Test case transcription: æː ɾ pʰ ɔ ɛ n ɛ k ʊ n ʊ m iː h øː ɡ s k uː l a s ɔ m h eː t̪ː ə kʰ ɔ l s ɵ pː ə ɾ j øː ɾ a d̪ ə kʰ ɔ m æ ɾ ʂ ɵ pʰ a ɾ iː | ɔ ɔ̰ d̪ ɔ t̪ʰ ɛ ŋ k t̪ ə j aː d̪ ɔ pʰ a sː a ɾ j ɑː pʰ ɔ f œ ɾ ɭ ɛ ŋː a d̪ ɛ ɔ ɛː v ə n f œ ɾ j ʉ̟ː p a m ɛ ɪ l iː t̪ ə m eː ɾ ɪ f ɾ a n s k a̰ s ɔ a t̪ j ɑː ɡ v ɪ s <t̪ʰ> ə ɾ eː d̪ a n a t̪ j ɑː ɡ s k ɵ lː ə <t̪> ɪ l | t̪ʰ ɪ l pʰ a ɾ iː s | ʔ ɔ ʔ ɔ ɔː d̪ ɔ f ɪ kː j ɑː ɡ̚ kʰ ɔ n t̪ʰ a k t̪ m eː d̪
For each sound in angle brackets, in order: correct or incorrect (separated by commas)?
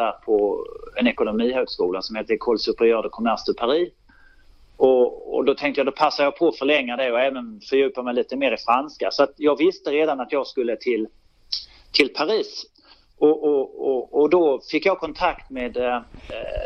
incorrect, incorrect